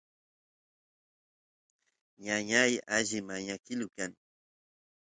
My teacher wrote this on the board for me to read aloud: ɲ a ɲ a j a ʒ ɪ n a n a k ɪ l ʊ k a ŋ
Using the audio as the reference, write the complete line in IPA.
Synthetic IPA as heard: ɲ a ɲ a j a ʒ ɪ m a ɲ a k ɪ l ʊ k a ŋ